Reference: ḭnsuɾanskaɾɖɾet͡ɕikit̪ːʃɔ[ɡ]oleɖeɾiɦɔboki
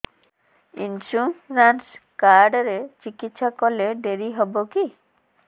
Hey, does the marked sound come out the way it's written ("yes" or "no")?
no